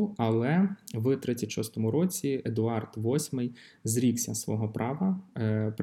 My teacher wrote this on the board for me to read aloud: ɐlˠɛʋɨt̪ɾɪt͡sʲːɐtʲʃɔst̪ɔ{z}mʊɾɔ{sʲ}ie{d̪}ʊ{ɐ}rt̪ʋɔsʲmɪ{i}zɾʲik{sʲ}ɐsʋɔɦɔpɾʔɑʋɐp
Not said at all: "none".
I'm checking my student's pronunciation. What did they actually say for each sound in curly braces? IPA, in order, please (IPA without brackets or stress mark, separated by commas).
none, t͡sʲ, d̪, ɑ, j, sʲ